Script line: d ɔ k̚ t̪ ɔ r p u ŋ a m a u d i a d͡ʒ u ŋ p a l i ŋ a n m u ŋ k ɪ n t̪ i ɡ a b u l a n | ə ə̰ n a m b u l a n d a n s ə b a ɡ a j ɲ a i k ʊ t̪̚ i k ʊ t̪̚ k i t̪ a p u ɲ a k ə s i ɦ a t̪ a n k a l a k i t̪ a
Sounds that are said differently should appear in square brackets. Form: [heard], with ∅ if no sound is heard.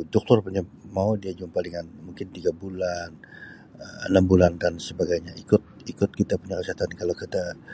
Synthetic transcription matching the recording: d ɔ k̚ t̪ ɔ r p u [ɲ] a m a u d i a d͡ʒ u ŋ p a l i ŋ a n m u ŋ k ɪ n t̪ i ɡ a b u l a n | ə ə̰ n a m b u l a n d a n s ə b a ɡ a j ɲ a i k ʊ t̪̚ i k ʊ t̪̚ k i t̪ a p u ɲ a k ə s i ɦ a t̪ a n k a l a k i t̪ a